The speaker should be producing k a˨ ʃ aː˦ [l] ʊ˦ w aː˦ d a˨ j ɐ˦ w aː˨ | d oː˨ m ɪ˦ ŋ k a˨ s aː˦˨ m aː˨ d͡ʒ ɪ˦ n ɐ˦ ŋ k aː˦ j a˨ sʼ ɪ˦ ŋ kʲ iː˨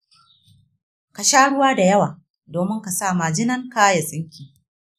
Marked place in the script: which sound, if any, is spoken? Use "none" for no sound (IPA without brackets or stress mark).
ɽ